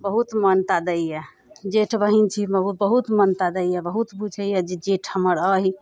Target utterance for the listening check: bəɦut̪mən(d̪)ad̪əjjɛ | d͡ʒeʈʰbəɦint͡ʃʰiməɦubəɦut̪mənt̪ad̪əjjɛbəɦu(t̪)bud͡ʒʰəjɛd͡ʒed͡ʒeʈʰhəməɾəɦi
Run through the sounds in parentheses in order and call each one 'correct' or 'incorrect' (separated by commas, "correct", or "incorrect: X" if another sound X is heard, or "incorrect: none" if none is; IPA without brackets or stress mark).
incorrect: t̪, correct